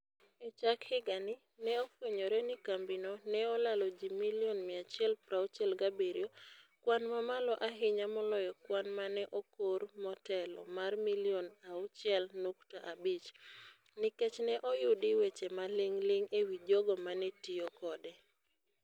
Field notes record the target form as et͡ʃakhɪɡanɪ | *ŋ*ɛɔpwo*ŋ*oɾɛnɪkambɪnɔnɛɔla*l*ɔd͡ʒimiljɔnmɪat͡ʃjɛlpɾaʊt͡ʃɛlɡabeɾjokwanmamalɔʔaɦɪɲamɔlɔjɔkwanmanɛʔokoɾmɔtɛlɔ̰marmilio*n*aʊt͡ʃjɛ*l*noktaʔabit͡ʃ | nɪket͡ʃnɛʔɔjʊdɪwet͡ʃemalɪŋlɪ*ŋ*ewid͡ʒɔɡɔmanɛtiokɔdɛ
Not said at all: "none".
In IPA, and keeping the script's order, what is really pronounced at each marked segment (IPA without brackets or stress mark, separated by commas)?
n, ɲ, l, n, l, ŋ